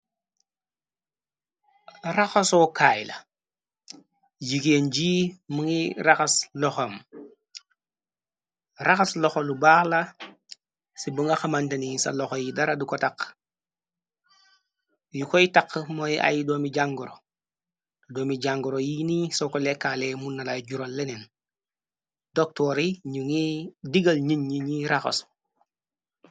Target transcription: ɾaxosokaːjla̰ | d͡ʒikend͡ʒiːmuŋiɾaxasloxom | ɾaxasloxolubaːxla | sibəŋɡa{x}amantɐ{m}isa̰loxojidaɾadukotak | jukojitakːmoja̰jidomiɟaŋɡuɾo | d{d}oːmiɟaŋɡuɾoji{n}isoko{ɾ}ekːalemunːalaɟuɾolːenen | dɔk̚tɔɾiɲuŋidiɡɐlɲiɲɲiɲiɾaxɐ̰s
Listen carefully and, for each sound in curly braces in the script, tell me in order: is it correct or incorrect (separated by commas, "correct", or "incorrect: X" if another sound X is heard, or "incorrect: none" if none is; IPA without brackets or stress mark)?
correct, incorrect: n, correct, correct, incorrect: l